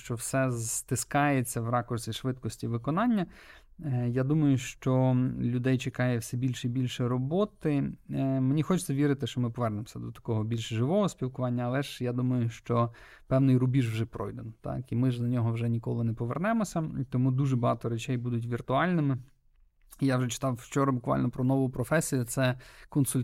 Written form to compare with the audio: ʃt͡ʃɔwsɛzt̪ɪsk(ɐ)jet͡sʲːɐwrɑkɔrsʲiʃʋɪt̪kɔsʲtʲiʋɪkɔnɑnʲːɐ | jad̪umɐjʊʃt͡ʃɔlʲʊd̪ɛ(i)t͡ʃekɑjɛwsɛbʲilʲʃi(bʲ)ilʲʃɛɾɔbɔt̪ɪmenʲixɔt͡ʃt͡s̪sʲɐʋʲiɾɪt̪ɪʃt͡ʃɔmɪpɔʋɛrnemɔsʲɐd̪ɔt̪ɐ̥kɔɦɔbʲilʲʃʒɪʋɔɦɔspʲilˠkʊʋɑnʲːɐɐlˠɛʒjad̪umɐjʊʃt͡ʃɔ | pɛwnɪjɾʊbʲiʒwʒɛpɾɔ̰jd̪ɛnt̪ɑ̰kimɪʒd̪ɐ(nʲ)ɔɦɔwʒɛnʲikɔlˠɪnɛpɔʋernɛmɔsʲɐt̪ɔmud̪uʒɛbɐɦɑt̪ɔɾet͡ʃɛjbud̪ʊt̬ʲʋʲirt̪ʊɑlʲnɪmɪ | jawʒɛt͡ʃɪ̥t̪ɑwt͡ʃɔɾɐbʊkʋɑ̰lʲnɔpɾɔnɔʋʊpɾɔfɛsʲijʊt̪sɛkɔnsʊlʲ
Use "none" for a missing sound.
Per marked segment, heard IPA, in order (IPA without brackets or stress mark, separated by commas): ɑ, j, bʲ, nʲ